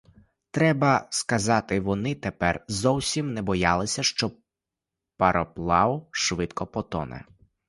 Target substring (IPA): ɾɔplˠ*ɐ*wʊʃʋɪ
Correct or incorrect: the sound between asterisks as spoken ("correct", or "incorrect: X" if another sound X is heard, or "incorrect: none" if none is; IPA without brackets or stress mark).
incorrect: ɑ